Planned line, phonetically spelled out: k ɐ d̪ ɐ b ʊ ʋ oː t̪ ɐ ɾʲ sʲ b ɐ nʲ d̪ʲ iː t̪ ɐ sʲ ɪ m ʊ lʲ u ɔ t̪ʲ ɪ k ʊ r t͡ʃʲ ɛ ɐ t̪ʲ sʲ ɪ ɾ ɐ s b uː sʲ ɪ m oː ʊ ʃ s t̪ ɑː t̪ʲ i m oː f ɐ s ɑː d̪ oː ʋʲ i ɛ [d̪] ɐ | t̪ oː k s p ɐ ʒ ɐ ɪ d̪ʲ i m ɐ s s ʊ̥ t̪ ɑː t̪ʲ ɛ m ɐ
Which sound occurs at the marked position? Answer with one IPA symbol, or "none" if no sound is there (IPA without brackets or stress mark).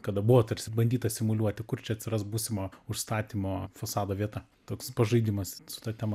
t̪